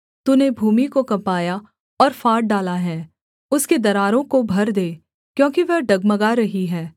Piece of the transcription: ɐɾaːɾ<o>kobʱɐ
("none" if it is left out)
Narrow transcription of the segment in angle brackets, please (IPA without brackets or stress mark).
õ